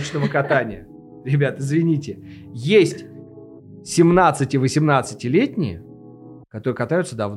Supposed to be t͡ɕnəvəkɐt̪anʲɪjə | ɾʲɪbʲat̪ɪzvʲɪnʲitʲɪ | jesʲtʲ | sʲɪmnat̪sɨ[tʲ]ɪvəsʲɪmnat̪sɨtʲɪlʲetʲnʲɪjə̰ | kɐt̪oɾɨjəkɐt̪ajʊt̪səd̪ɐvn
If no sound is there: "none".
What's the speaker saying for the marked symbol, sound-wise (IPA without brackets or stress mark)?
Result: tʲ